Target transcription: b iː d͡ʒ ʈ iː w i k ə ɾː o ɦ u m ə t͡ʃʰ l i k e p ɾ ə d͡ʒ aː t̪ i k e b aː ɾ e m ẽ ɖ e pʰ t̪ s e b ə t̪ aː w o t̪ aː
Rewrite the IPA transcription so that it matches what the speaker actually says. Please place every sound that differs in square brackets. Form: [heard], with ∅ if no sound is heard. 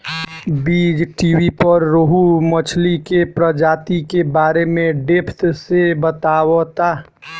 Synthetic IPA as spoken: b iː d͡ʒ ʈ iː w i [p] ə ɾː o ɦ u m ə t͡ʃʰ l i k e p ɾ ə d͡ʒ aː t̪ i k e b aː ɾ e m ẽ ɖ e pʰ t̪ s e b ə t̪ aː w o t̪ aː